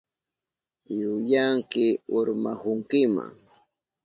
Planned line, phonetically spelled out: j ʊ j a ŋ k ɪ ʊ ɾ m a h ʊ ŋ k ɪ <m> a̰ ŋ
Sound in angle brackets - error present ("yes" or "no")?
no